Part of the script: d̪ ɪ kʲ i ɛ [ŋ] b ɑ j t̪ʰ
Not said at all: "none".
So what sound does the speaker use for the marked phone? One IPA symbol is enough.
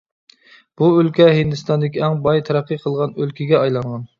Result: ŋ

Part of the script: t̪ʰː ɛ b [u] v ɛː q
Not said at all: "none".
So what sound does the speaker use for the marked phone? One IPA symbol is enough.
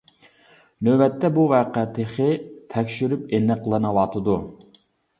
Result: u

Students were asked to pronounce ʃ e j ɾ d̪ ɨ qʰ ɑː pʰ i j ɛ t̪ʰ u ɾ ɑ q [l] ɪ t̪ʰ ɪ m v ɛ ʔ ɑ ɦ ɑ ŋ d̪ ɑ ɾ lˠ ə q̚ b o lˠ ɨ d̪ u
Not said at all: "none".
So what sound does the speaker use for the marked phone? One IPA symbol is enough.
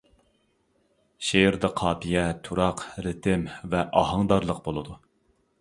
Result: ɾ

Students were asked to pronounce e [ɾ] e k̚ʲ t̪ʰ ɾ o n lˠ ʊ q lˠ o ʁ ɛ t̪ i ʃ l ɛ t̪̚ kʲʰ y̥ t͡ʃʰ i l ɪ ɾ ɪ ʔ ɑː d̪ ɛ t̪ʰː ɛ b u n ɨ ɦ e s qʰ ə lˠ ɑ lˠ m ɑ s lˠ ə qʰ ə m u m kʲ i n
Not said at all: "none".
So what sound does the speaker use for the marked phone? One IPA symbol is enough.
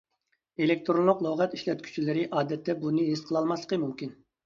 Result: l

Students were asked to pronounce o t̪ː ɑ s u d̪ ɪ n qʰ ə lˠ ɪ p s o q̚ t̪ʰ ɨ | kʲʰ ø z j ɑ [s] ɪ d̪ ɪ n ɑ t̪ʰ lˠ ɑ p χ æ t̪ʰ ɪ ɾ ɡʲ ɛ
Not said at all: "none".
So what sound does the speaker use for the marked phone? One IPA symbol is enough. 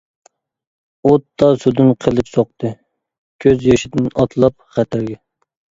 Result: ʃ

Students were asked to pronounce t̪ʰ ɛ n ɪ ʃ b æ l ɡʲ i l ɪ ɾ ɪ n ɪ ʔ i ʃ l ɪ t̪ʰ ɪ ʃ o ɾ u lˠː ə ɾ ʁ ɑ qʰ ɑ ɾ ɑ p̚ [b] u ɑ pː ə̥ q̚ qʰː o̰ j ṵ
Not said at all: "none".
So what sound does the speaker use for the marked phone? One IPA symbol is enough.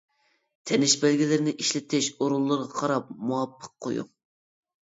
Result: m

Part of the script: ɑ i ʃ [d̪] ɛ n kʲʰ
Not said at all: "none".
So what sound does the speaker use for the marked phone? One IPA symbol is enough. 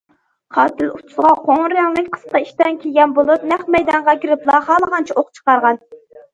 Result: t̪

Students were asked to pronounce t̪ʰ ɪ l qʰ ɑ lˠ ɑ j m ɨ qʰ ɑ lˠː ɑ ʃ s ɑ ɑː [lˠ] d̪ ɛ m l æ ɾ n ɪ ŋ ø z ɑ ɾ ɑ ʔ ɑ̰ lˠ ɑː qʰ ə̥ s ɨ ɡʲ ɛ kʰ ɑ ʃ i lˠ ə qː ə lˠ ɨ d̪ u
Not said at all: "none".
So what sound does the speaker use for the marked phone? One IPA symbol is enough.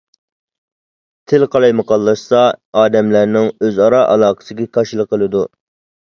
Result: none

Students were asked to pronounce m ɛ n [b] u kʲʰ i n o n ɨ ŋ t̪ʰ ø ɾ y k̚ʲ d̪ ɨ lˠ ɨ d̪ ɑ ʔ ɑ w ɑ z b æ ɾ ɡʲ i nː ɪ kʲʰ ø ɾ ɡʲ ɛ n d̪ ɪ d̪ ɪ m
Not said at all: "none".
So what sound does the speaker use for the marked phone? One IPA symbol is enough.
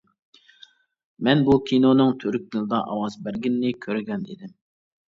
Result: b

